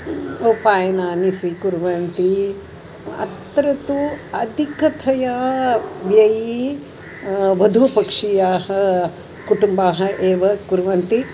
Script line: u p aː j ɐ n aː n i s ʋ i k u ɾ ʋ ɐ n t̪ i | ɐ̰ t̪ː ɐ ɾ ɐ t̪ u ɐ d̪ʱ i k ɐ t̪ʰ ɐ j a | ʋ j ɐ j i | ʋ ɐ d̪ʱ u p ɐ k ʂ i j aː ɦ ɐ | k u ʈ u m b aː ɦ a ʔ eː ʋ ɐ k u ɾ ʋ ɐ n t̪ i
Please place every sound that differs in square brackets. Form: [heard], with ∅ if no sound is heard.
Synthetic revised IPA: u p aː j ɐ n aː n i s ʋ i k u ɾ ʋ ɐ n t̪ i | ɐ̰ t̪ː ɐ ɾ ɐ t̪ u ɐ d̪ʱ i k ɐ t̪ʰ ɐ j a | ʋ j ɐ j i | ʋ ɐ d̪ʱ u p ɐ k ʂ i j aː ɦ ɐ | k u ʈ u m b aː ɦ [ɐ] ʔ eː ʋ ɐ k u ɾ ʋ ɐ n t̪ i